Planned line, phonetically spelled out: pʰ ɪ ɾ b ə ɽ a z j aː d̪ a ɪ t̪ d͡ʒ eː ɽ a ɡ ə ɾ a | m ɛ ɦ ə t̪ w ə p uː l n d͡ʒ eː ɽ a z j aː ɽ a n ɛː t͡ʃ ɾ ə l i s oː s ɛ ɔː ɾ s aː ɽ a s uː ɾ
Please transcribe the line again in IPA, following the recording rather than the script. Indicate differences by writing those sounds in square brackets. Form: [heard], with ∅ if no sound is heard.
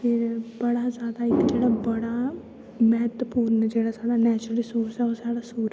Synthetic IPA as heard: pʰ ɪ ɾ b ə ɽ a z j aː d̪ a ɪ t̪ d͡ʒ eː ɽ a [b] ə [ɽ] a | m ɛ ɦ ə t̪ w ə p uː [ɾ] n d͡ʒ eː ɽ a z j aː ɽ a n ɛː t͡ʃ ɾ ə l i s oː s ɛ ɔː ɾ s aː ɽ a s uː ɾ